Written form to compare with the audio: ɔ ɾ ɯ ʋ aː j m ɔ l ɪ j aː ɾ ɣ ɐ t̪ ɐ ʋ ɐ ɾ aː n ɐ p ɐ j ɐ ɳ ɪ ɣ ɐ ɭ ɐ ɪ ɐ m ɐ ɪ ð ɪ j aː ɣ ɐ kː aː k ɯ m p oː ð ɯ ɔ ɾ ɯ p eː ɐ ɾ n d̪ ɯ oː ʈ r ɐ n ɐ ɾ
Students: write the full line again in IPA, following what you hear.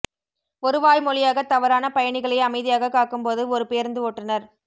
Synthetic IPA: ɔ ɾ ɯ ʋ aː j m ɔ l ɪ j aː ɣ ɐ t̪ ɐ ʋ ɐ ɾ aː n ɐ p ɐ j ɐ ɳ ɪ ɣ ɐ ɭ ɐ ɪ ɐ m ɐ ɪ ð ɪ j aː ɣ ɐ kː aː k ɯ m p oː ð ɯ ɔ ɾ ɯ p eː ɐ ɾ n d̪ ɯ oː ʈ r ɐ n ɐ ɾ